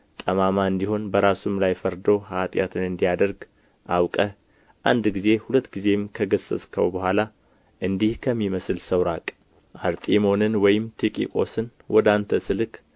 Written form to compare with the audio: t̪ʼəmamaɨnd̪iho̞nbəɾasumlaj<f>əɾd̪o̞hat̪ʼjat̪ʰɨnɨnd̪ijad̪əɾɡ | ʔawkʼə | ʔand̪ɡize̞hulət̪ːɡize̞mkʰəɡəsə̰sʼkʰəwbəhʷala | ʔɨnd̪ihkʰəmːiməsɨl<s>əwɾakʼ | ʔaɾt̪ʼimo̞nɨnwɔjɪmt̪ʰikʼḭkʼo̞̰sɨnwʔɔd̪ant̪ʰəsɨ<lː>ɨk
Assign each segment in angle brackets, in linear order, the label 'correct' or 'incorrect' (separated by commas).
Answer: correct, correct, incorrect